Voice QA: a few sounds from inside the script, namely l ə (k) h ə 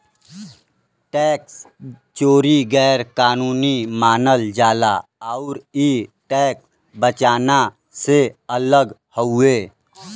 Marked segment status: incorrect: ɡ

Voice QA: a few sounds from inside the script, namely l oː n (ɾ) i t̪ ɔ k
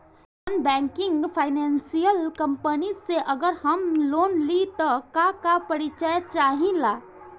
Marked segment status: incorrect: l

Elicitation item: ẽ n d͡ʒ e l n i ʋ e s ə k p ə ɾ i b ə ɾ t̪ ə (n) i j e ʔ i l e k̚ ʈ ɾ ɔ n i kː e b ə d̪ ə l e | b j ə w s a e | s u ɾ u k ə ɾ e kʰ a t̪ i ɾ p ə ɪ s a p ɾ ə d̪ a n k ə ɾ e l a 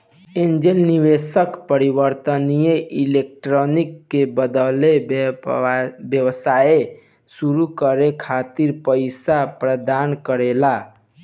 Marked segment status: correct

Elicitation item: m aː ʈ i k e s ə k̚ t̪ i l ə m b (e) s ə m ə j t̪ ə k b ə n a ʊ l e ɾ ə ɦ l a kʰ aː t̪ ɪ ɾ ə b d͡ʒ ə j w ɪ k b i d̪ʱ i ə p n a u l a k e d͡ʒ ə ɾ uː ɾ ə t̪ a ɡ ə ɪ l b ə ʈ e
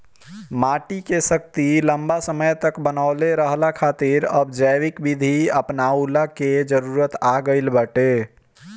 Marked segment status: incorrect: a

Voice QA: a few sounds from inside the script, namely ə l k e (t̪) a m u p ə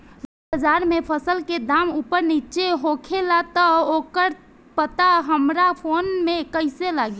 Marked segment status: incorrect: d̪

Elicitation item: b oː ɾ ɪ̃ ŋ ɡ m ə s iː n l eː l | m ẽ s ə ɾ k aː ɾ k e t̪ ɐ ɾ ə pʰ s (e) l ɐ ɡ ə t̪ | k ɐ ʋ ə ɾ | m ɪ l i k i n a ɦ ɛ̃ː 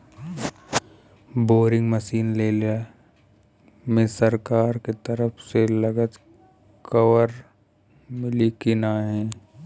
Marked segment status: correct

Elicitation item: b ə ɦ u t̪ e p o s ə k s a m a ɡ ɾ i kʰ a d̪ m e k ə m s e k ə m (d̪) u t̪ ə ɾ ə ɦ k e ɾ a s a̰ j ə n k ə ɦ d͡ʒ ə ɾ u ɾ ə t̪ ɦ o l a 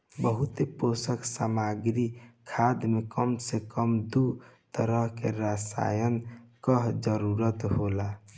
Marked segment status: correct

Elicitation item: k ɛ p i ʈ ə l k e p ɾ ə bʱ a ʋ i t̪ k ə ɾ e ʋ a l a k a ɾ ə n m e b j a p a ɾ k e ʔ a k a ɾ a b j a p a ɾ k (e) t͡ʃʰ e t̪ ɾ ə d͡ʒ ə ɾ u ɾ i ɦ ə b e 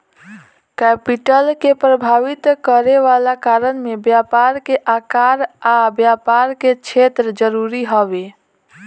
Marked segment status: correct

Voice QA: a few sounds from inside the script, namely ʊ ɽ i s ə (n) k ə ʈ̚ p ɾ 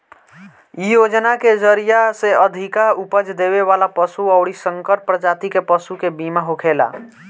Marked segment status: incorrect: ŋ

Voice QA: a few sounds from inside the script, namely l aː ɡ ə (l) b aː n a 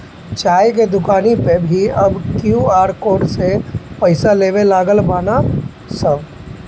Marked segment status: correct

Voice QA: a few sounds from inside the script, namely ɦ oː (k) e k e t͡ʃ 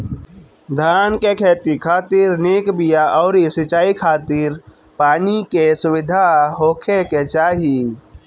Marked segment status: incorrect: kʰ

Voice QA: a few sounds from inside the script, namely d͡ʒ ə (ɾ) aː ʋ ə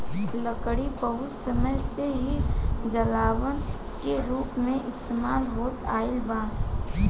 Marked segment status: incorrect: l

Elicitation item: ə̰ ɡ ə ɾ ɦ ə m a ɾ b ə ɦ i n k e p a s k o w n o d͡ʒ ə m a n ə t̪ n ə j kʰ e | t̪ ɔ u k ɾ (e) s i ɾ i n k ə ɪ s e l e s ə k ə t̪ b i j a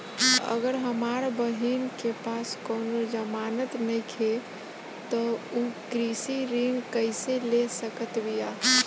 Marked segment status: incorrect: i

